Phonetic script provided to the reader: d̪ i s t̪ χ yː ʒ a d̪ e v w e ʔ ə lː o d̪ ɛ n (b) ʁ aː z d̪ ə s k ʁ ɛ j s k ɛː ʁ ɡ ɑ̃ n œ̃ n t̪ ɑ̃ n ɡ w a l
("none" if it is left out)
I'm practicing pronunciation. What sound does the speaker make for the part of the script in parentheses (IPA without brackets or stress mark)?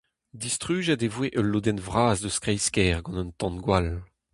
v